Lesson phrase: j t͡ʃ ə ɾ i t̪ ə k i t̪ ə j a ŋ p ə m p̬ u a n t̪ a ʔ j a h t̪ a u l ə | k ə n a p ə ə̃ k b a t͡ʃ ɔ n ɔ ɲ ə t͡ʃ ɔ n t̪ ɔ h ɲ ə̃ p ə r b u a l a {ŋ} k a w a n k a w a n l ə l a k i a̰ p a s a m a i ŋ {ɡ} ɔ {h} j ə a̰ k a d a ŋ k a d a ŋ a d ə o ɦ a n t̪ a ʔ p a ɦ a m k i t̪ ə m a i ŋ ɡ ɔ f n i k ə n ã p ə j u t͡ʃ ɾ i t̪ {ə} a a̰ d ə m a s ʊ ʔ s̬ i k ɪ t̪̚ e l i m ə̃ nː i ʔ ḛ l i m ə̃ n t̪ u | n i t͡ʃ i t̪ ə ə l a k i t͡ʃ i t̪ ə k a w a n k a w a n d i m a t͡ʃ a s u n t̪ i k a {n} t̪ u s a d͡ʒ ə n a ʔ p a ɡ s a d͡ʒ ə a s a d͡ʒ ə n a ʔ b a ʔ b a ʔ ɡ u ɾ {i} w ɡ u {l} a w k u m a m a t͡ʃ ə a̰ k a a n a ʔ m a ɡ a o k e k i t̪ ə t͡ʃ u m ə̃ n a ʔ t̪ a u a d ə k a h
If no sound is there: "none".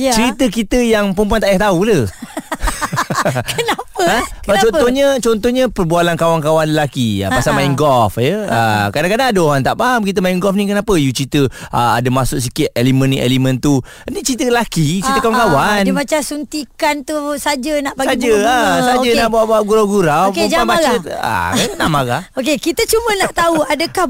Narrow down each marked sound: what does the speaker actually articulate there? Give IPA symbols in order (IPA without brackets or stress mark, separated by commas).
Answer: n, ɡ, f, ə, n, a, ɾ